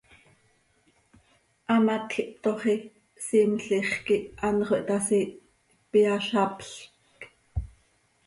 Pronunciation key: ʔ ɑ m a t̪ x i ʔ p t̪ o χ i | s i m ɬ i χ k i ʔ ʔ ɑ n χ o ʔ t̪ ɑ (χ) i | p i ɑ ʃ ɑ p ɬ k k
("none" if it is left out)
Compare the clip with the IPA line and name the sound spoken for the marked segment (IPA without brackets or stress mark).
s